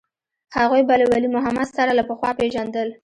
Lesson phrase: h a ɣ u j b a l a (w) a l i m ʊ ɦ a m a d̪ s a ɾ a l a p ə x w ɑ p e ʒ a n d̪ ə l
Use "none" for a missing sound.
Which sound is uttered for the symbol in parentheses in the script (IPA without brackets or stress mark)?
w